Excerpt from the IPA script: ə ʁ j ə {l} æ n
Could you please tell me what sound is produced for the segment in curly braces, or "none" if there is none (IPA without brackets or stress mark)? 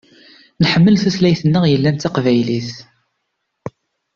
lː